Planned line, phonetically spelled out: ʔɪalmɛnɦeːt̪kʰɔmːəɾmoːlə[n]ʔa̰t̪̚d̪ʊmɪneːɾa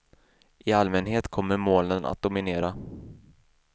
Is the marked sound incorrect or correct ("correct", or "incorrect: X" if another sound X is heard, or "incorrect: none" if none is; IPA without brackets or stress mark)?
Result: correct